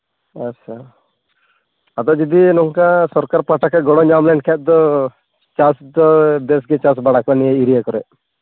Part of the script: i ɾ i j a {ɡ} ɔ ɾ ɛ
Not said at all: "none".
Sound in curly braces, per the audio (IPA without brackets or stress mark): k